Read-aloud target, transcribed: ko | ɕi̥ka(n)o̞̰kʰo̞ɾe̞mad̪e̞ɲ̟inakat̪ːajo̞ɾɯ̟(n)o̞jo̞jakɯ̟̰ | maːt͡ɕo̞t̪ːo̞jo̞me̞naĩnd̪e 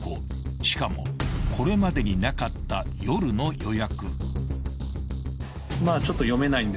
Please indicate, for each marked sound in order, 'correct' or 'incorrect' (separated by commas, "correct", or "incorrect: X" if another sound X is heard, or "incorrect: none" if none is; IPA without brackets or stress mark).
incorrect: m, correct